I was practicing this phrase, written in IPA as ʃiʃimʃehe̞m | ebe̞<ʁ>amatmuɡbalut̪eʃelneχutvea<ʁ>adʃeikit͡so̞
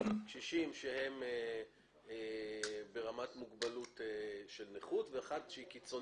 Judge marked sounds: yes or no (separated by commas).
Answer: yes, no